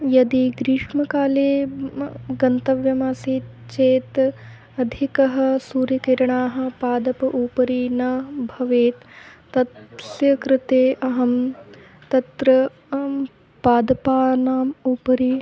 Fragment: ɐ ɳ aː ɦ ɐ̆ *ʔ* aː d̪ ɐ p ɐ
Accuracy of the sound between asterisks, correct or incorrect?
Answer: incorrect